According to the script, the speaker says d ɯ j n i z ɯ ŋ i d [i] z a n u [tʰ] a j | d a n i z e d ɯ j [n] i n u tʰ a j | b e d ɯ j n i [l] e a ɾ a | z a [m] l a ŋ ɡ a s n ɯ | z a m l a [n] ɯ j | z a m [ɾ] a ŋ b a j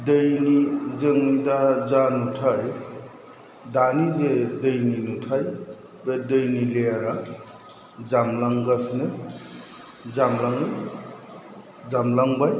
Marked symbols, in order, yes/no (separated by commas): no, yes, yes, yes, yes, no, no